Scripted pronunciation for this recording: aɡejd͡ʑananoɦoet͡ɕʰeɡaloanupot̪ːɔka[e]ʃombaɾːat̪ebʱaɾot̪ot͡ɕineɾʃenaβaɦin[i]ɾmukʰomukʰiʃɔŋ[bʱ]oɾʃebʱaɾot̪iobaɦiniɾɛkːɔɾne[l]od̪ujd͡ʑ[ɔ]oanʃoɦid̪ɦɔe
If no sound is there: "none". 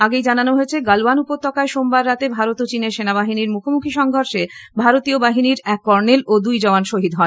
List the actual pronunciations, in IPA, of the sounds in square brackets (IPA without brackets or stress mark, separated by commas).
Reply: e, i, ɡʱ, l, ɔ